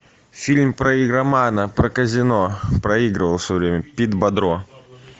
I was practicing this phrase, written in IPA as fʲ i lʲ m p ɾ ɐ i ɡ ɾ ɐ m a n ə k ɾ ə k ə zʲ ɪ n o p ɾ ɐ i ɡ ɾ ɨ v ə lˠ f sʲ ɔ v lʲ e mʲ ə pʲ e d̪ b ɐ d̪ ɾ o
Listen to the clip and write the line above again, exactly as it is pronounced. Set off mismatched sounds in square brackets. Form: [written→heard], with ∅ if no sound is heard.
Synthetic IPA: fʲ i lʲ m p ɾ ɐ i ɡ ɾ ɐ m a n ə [k→p] ɾ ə k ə zʲ ɪ n o p ɾ ɐ i ɡ ɾ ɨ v ə lˠ f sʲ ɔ v [lʲ→ɾʲ] e mʲ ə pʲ [e→i] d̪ b ɐ d̪ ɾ o